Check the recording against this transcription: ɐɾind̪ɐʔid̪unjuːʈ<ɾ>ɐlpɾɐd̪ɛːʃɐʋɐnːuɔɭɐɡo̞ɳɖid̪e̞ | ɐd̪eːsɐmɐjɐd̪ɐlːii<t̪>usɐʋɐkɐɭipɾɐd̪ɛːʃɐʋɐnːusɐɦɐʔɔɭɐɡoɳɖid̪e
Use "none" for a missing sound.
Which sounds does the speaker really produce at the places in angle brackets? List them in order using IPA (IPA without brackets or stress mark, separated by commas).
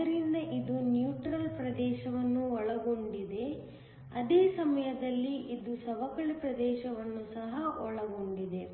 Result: ɾ, d̪